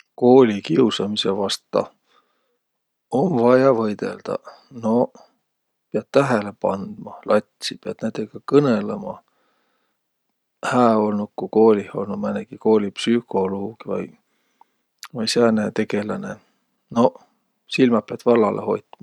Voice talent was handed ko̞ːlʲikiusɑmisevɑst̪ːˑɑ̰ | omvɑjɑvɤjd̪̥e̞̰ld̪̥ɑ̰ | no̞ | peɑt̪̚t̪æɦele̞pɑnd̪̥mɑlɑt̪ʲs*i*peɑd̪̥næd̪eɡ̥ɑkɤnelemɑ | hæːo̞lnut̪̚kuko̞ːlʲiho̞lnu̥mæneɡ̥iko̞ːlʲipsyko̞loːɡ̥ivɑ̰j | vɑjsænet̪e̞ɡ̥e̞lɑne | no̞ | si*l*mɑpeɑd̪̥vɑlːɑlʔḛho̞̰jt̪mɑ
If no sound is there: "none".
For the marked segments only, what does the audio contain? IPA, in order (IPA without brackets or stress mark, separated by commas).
i, l